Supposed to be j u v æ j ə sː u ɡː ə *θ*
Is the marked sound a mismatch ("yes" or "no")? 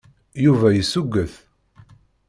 no